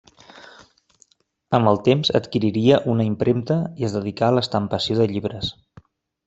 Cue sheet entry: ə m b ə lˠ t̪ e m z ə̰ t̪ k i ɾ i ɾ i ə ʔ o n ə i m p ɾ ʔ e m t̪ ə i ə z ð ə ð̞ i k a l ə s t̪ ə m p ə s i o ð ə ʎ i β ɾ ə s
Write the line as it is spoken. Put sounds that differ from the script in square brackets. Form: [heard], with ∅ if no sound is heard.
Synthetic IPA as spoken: ə m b ə lˠ t̪ e m z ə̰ t̪ k i ɾ i ɾ i ə ʔ [u] n ə i m p ɾ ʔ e m t̪ ə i ə z ð ə ð̞ i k a l ə s t̪ ə m p ə s i o ð ə ʎ i β ɾ ə s